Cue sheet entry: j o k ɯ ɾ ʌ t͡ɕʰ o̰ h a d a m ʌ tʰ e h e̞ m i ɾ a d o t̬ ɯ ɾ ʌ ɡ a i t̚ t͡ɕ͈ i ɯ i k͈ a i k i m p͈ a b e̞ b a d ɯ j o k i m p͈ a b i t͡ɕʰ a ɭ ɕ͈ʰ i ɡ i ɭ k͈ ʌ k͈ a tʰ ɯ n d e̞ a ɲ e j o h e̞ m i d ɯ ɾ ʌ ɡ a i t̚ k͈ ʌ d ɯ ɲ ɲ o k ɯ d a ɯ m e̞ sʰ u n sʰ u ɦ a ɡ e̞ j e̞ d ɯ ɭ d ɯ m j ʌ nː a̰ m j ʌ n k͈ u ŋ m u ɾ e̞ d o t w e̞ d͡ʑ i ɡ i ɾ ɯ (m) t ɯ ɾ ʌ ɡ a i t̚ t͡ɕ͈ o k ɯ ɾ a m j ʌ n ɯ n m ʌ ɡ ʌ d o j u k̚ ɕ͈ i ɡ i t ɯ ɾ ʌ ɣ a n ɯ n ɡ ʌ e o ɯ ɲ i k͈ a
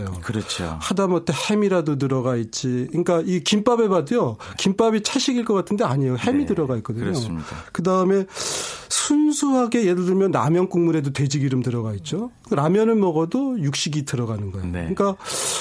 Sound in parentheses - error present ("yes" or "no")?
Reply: no